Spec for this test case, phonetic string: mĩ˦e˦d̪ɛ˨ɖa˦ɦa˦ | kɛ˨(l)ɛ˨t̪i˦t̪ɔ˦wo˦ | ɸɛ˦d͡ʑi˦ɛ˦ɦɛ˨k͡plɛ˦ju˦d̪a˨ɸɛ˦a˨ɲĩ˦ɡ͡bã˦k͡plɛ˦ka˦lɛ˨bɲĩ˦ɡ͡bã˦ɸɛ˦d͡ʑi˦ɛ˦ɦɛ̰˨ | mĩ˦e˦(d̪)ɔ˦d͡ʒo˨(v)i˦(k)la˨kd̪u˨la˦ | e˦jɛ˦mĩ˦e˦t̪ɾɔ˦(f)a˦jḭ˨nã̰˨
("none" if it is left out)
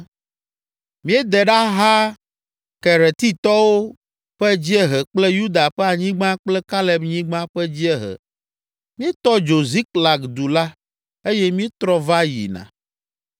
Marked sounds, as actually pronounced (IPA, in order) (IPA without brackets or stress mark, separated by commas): ɾ, t̪, z, k, v